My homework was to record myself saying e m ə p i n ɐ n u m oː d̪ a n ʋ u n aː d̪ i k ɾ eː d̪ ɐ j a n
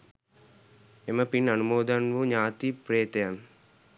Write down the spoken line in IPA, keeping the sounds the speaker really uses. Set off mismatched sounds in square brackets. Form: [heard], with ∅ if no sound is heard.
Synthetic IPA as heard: e m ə p i n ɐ n u m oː d̪ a n ʋ u [ɲ] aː [t̪] i [p] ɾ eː [t̪] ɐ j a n